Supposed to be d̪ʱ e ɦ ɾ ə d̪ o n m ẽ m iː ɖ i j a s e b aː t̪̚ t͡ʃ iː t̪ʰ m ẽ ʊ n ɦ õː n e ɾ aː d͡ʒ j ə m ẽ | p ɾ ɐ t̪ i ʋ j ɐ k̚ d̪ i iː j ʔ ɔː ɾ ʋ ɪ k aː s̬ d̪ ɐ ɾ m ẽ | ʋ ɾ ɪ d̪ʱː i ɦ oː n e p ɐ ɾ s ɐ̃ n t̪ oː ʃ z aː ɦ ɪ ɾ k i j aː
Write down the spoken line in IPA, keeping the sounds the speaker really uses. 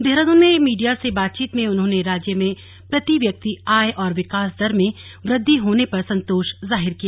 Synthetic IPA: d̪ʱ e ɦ ɾ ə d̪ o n m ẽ m iː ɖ i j a s e b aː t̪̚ t͡ʃ iː t̪ m ẽ ʊ n ɦ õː n e ɾ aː d͡ʒ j ə m ẽ | p ɾ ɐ t̪ i ʋ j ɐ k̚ t̪ i aː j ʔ ɔː ɾ ʋ ɪ k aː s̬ d̪ ɐ ɾ m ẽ | ʋ ɾ ɪ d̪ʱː i ɦ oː n e p ɐ ɾ s ɐ̃ n t̪ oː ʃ z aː ɦ ɪ ɾ k i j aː